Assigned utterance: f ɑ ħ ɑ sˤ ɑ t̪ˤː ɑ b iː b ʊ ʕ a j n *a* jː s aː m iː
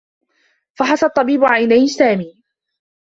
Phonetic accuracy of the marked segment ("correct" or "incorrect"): correct